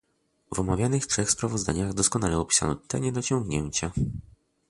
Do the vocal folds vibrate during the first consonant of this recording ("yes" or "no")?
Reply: yes